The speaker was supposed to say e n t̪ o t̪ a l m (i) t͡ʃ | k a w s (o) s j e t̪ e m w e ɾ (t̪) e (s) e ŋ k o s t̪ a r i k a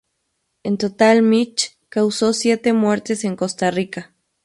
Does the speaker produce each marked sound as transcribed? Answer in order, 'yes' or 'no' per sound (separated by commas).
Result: yes, yes, yes, yes